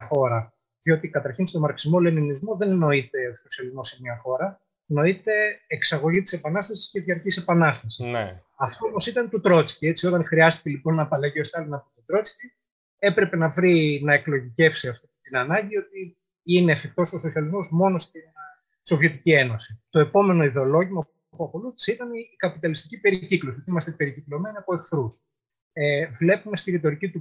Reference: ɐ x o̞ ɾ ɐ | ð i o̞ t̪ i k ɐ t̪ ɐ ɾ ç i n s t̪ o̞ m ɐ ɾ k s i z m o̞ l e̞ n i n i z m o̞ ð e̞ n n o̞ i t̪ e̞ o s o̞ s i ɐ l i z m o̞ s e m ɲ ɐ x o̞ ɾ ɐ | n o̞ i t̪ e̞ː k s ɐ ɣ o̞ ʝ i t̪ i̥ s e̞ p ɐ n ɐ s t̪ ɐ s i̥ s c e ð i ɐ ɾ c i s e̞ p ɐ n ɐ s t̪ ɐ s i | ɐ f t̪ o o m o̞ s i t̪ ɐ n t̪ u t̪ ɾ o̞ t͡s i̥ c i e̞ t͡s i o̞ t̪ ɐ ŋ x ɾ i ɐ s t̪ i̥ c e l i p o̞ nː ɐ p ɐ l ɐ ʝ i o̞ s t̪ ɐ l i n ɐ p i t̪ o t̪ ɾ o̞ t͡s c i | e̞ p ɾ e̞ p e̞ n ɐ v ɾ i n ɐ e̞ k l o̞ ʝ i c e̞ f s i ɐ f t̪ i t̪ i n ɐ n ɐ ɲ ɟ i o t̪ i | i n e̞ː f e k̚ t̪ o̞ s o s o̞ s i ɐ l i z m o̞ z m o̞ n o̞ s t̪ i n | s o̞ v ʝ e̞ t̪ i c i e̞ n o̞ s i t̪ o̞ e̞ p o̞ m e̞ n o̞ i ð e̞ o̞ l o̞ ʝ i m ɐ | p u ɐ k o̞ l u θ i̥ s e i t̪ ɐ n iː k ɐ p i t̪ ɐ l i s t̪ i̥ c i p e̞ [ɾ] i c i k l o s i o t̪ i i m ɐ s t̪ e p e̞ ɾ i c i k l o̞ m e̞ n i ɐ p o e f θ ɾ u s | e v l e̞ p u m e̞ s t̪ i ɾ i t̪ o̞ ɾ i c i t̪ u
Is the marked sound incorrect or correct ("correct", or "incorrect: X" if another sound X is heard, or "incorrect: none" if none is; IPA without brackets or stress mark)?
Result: correct